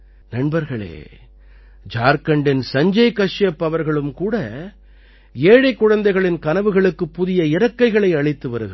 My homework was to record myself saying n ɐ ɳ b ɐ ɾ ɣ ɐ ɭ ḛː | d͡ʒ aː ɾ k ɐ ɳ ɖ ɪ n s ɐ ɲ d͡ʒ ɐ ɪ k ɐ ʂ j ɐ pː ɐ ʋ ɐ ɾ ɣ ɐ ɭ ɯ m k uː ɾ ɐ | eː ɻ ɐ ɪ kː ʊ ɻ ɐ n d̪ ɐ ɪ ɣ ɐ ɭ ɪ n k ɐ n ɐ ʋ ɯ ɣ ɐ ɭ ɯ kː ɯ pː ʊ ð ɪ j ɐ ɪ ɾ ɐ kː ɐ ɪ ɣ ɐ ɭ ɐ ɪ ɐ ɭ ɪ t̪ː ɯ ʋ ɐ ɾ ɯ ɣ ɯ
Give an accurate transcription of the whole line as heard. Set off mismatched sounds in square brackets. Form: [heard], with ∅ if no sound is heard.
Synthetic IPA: n ɐ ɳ b ɐ ɾ ɣ ɐ ɭ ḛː | d͡ʒ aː ɾ k ɐ ɳ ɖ ɪ n s ɐ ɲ d͡ʒ ɐ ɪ k ɐ ʂ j ɐ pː ɐ ʋ ɐ ɾ ɣ ɐ ɭ ɯ m k uː [ɽ] ɐ | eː ɻ ɐ ɪ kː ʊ ɻ ɐ n d̪ ɐ ɪ ɣ ɐ ɭ ɪ n k ɐ n ɐ ʋ ɯ ɣ ɐ ɭ ɯ kː ɯ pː ʊ ð ɪ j ɐ ɪ ɾ ɐ kː ɐ ɪ ɣ ɐ ɭ ɐ ɪ ɐ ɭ ɪ t̪ː ɯ ʋ ɐ ɾ ɯ ɣ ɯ